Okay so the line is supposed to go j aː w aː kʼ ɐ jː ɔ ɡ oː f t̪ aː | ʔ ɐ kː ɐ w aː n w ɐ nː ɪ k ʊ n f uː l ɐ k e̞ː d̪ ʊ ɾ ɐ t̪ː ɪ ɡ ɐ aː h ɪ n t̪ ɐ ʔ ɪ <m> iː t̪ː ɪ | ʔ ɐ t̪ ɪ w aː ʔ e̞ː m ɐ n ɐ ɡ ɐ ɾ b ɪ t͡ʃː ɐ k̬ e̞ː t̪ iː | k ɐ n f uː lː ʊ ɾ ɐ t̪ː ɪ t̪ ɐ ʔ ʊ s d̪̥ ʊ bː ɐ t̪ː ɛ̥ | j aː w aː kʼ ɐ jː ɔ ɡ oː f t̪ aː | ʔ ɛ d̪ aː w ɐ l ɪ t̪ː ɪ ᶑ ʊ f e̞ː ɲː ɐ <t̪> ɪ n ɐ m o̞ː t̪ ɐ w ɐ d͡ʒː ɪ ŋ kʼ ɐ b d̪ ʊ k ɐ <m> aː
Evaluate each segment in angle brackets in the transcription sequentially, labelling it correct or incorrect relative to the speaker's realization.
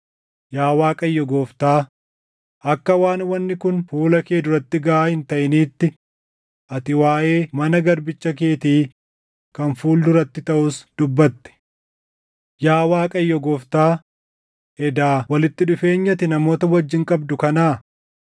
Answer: incorrect: n, correct, incorrect: n

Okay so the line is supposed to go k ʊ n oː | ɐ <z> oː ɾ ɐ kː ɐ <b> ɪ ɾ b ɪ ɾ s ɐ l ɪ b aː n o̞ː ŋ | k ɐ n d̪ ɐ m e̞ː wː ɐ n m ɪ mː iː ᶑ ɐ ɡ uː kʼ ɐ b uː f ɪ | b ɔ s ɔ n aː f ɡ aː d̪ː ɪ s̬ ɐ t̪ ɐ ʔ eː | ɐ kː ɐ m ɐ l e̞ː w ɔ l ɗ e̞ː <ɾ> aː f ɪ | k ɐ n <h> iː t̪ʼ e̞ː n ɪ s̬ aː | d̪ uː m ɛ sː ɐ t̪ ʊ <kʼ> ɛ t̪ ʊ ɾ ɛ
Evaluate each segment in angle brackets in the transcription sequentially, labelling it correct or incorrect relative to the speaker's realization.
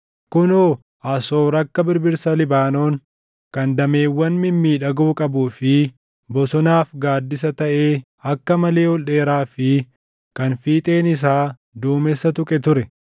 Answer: incorrect: s, correct, correct, incorrect: f, correct

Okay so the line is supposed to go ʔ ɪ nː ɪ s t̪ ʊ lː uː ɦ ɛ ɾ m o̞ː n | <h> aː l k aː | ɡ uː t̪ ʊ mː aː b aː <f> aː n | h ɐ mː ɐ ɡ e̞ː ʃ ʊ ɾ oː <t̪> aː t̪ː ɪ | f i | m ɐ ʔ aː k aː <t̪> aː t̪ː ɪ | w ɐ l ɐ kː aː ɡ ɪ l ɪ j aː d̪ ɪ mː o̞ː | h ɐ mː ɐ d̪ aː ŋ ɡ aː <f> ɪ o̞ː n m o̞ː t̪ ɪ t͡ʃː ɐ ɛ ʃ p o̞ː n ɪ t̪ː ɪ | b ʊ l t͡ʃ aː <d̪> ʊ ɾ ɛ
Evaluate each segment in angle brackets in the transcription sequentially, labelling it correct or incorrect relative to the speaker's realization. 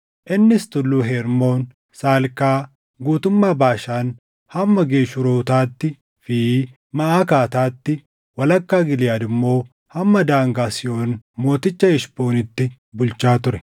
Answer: incorrect: s, incorrect: ʃ, correct, correct, incorrect: s, incorrect: t̪

